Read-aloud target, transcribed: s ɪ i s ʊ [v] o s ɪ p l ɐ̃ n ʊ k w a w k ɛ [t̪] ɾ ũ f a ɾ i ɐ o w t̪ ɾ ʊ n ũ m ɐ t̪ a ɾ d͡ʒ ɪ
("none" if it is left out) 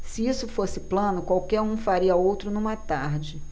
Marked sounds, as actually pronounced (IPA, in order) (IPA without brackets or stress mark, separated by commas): f, none